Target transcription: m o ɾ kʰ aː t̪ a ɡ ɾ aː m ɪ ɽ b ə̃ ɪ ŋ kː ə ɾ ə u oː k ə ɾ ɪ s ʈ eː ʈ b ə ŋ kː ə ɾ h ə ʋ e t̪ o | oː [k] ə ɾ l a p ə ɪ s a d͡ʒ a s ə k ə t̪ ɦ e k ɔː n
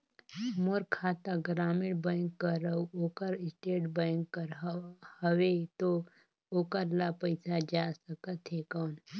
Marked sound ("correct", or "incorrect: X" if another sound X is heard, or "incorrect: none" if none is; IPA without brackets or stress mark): correct